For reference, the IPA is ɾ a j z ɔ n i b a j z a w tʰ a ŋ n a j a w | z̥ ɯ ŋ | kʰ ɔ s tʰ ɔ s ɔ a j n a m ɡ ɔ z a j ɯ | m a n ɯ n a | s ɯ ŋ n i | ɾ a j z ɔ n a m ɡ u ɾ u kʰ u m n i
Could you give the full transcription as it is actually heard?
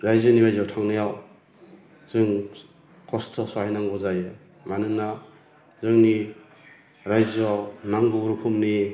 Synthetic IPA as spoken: ɾ a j z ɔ n i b a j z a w tʰ a ŋ n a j a w | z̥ ɯ ŋ | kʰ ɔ s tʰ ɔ s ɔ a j n a ŋ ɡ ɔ z a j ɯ | m a n ɯ n a | z ɯ ŋ n i | ɾ a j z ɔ n a ŋ ɡ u ɾ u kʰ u m n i

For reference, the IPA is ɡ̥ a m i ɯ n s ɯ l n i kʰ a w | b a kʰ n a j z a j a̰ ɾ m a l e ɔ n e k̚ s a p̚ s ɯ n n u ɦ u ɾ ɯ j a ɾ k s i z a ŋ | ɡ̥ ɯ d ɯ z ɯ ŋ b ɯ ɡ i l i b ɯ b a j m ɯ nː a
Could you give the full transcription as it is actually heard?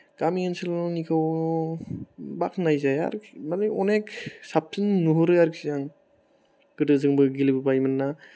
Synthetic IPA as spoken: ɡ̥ a m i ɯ n s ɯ l n i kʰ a w | b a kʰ n a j z a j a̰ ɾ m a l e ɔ n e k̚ s a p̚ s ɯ n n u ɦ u ɾ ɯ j a ɾ k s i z a ŋ | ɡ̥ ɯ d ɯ z ɯ ŋ b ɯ ɡ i l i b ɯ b a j m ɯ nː a

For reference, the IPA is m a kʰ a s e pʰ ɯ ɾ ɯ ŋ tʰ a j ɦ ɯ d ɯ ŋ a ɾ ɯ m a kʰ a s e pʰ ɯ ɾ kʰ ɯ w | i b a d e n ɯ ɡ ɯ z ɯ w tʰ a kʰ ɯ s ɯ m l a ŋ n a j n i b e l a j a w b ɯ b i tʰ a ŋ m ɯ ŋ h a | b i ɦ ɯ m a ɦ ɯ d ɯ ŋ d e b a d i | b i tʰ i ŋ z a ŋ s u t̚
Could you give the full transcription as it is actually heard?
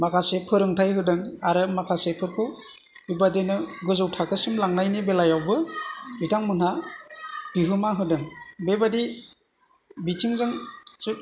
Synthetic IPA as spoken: m a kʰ a s e pʰ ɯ ɾ ɯ ŋ tʰ a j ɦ ɯ d ɯ ŋ a ɾ ɯ m a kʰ a s e pʰ ɯ ɾ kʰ ɯ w | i b a d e n ɯ ɡ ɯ z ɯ w tʰ a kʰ ɯ s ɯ m l a ŋ n a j n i b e l a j a w b ɯ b i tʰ a ŋ m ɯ n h a | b i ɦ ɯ m a ɦ ɯ d ɯ ŋ b e b a d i | b i tʰ i ŋ z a ŋ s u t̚

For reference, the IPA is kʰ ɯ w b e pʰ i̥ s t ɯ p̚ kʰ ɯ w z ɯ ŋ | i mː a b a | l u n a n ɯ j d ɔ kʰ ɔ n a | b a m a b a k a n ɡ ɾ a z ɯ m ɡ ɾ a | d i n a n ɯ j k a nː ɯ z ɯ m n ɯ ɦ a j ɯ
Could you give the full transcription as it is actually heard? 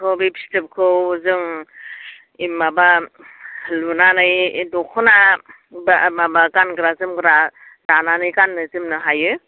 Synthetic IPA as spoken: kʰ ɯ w b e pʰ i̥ s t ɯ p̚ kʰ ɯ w z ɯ ŋ | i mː a b a | l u n a n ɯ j d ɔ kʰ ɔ n a | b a m a b a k a n ɡ ɾ a z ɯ m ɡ ɾ a | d a n a n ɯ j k a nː ɯ z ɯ m n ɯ ɦ a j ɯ

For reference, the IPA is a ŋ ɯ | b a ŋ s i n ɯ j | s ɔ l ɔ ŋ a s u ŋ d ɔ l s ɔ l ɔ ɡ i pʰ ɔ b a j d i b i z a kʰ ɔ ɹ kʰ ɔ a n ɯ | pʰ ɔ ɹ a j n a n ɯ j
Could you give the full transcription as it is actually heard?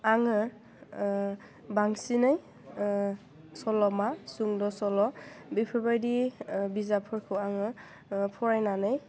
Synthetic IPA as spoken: a ŋ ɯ | b a ŋ s i n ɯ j | s ɔ l ɔ m a s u ŋ d ɔ s ɔ l ɔ b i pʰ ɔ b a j d i b i z a pʰ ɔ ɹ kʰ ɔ a ŋ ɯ | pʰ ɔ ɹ a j n a n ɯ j

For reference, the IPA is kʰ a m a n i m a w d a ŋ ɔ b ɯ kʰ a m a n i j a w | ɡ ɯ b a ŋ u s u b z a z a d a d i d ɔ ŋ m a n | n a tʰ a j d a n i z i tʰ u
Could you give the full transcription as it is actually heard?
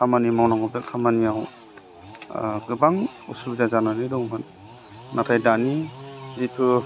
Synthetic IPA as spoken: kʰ a m a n i m a w n a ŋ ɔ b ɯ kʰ a m a n i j a w | ɡ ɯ b a ŋ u s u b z a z a n a n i d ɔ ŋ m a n | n a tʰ a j d a n i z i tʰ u

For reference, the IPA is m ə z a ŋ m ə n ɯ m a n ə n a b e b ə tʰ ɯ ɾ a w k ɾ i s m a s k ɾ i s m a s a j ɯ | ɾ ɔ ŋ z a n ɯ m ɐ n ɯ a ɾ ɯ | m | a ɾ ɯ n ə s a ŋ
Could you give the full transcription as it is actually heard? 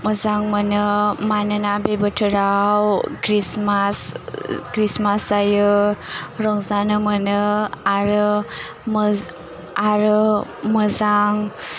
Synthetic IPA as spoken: m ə z a ŋ m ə n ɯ m a n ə n a b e b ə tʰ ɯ ɾ a w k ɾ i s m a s k ɾ i s m a s a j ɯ | ɾ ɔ ŋ z a n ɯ m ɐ n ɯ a ɾ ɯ | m | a ɾ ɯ m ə z a ŋ

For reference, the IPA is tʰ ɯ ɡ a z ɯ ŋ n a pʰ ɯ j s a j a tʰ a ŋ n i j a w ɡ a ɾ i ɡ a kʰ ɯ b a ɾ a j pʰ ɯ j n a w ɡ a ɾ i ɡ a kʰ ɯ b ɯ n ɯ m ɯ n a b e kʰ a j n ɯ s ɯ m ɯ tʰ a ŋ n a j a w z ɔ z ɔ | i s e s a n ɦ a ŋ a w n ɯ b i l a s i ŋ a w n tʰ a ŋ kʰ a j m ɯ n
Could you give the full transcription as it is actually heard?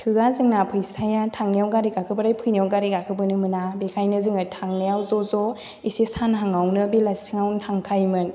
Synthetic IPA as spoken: tʰ ɯ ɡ a z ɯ ŋ n a pʰ ɯ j s a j a tʰ a ŋ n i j a w ɡ a ɾ i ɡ a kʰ ɯ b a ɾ a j pʰ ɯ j n a w ɡ a ɾ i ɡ a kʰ ɯ b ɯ n ɯ m ɯ n a b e kʰ a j n ɯ z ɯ ŋ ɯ tʰ a ŋ n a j a w z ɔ z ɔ | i s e s a n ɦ a ŋ a w n ɯ b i l a s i ŋ a w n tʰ a ŋ kʰ a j m ɯ n

